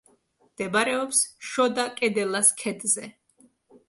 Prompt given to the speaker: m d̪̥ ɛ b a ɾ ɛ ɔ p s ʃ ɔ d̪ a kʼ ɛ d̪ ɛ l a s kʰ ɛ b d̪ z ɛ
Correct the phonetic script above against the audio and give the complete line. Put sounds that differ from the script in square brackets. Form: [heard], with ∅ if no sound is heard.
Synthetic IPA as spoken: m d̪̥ ɛ b a ɾ ɛ ɔ p s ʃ ɔ d̪ a kʼ ɛ d̪ ɛ l a s kʰ ɛ [∅] d̪ z ɛ